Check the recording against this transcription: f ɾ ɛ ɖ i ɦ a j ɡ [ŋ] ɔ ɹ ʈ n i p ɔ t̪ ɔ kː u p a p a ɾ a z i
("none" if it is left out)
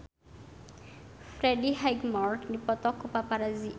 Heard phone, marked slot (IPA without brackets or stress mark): m